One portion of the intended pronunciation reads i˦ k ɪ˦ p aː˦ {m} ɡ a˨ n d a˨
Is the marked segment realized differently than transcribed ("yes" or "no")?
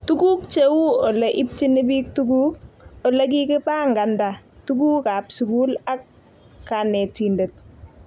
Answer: yes